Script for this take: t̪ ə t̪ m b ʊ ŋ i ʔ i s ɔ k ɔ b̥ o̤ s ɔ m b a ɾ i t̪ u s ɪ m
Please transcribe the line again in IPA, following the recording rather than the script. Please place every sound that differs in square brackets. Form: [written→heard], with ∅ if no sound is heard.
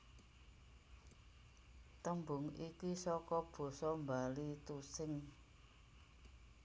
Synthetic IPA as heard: t̪ ə [t̪→∅] m b ʊ ŋ i [ʔ→k] i s ɔ k ɔ b̥ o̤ s ɔ m b a [ɾ→l] i t̪ u s ɪ [m→ŋ]